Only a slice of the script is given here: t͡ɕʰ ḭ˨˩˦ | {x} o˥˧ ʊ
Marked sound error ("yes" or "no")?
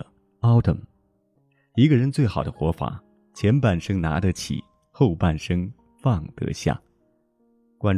no